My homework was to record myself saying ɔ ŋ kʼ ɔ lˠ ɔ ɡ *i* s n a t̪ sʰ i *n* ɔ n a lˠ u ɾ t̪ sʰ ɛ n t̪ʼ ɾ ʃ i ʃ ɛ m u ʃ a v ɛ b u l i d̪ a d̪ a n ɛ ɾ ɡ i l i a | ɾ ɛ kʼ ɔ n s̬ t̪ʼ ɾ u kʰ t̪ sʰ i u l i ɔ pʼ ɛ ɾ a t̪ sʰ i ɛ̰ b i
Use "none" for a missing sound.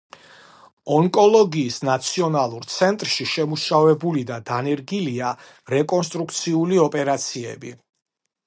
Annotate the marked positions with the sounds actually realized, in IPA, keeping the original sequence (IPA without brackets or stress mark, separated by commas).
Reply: iː, none